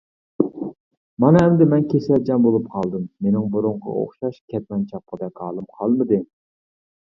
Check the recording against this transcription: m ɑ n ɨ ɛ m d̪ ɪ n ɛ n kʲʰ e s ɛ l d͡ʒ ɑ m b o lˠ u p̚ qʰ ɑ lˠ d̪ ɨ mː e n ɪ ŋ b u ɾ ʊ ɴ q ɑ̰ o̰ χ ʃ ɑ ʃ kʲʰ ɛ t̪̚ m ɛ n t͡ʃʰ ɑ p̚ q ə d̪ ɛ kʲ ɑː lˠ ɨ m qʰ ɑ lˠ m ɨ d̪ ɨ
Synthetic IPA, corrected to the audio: m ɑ n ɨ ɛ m d̪ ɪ m ɛ n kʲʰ e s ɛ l d͡ʒ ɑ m b o lˠ u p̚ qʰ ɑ lˠ d̪ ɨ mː e n ɪ ŋ b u ɾ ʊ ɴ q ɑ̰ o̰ χ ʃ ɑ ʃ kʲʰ ɛ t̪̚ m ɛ n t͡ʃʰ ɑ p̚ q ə d̪ ɛ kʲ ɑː lˠ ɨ m qʰ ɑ lˠ m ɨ d̪ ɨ